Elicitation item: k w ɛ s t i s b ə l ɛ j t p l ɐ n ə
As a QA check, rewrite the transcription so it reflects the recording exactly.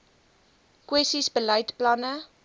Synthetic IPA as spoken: k w ɛ s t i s b ə l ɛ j t p l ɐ n ə